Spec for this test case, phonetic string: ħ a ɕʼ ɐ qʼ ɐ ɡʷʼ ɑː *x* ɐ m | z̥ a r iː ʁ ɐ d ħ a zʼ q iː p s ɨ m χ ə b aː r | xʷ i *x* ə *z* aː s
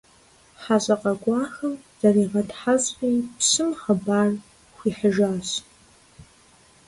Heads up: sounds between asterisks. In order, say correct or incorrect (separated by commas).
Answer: correct, incorrect, incorrect